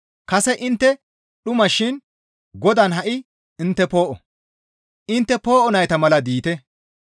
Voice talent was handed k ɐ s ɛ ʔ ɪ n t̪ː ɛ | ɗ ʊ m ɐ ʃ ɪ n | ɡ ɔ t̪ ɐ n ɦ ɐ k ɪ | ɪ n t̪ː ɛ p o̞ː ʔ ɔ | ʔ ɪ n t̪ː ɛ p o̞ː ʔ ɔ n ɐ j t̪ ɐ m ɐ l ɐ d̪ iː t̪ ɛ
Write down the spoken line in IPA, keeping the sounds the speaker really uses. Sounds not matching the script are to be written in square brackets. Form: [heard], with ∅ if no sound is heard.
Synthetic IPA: k ɐ s ɛ ʔ ɪ n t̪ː ɛ | ɗ ʊ m ɐ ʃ ɪ n | ɡ ɔ [d̪] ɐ n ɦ ɐ [ʔ] ɪ | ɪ n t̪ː ɛ p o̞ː ʔ ɔ | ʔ ɪ n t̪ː ɛ p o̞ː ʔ ɔ n ɐ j t̪ ɐ m ɐ l ɐ d̪ iː t̪ ɛ